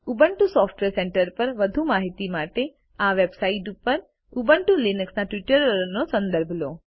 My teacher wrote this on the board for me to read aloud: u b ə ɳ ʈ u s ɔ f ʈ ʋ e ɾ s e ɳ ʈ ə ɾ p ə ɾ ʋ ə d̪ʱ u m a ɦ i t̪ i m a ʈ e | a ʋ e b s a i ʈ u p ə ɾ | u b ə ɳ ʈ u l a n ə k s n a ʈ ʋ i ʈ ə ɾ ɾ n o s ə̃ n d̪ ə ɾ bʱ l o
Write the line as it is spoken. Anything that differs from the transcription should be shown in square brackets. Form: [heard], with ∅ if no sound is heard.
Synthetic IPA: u b ə ɳ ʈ u s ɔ f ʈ ʋ e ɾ s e ɳ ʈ ə ɾ p ə ɾ ʋ ə d̪ʱ u m a ɦ i t̪ i m a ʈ e | a ʋ e b s a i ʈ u p ə ɾ | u b ə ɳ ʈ u l [i] n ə k s n a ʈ ʋ i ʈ ə ɾ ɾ n o s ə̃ n d̪ ə ɾ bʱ l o